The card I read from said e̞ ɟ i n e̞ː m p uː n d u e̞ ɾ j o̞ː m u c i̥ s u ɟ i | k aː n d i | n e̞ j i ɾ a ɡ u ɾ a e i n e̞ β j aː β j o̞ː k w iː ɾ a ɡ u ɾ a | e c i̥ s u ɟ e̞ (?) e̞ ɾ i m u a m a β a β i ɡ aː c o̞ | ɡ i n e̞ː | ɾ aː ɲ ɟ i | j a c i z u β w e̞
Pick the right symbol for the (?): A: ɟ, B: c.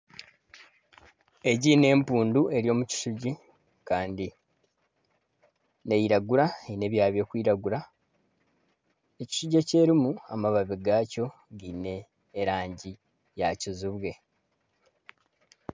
B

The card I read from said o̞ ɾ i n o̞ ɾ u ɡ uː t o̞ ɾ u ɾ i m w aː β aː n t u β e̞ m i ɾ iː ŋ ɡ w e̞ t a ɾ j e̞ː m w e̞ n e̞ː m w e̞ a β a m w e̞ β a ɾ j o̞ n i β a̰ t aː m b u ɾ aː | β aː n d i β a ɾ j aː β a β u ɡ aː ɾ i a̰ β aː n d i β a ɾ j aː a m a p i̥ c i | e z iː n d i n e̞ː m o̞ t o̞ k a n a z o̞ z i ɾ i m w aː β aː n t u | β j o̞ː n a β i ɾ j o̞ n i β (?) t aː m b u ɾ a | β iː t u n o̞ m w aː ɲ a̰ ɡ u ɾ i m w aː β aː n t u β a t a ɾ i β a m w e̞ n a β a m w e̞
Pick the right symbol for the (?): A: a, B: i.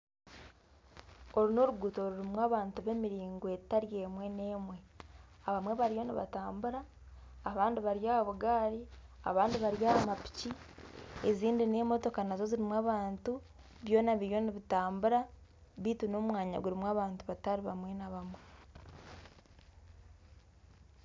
B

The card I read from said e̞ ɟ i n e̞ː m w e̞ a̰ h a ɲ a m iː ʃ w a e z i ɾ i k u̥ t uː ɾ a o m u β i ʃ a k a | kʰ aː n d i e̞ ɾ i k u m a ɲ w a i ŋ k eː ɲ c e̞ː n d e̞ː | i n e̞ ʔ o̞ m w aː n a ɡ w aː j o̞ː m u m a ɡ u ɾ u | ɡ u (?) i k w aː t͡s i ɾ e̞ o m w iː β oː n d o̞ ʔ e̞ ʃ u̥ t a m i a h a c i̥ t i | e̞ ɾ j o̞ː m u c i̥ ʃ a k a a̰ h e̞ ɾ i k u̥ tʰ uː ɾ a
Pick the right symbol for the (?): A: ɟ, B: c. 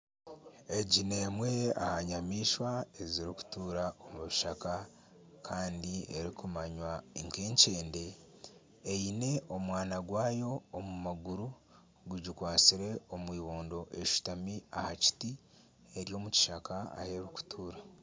A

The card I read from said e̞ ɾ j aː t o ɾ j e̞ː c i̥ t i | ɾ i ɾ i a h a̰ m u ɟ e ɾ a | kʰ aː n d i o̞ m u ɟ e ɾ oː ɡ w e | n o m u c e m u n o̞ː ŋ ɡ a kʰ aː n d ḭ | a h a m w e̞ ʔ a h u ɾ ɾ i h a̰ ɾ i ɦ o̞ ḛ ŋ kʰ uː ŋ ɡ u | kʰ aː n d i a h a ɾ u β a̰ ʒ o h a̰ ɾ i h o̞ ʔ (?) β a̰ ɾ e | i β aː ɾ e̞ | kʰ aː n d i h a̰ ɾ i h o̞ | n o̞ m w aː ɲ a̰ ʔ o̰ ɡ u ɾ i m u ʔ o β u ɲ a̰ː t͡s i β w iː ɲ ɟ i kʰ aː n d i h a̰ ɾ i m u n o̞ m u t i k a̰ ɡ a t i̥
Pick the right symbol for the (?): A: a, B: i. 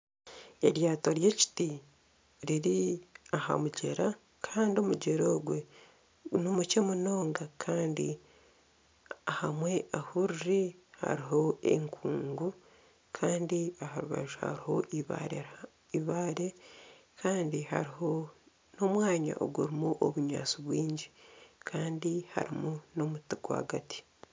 B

